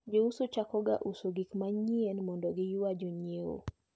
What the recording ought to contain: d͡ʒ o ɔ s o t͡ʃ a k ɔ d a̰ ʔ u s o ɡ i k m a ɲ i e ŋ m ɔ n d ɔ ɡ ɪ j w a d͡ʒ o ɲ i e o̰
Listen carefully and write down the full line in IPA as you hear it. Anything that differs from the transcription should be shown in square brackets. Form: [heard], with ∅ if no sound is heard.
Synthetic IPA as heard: d͡ʒ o [u] s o t͡ʃ a k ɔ [ɡ] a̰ ʔ u s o ɡ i k m a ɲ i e [n] m ɔ n d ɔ ɡ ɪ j w a d͡ʒ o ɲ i e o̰